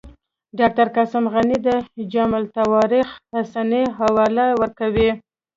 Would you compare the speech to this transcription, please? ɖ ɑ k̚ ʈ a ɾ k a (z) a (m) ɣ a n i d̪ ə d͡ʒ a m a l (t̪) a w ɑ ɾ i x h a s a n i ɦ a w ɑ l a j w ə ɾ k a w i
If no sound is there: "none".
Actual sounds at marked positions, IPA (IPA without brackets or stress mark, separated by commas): s, m, t̪